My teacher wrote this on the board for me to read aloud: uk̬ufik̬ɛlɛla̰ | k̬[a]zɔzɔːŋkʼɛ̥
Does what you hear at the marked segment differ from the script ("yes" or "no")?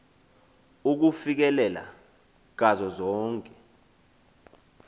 no